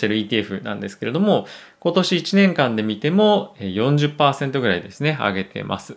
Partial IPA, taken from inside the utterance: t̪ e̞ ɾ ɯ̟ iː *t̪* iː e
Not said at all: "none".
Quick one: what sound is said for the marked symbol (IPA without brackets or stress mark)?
t̪